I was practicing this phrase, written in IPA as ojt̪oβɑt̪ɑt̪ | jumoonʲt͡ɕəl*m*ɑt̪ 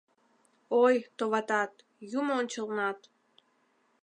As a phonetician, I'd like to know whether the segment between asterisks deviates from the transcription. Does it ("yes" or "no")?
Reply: yes